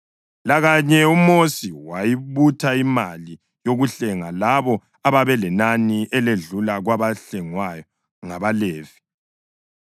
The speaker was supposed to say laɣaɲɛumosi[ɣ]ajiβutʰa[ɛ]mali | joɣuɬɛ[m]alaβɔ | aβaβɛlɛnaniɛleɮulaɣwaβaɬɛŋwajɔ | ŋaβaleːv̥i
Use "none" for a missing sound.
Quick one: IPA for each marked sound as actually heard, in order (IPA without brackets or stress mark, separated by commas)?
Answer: w, i, ŋ